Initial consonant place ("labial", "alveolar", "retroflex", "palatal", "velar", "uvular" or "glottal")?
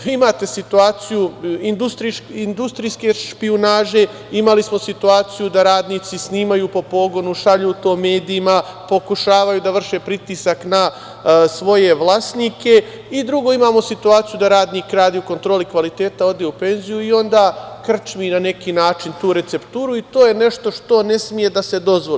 labial